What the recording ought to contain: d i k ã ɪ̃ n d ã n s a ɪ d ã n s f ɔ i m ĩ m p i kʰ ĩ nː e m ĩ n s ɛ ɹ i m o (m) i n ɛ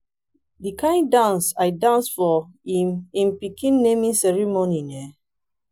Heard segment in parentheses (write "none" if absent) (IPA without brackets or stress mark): n